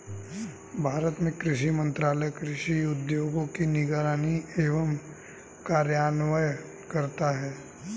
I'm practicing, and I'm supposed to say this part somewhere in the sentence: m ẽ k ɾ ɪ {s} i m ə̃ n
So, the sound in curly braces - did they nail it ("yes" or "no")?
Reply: no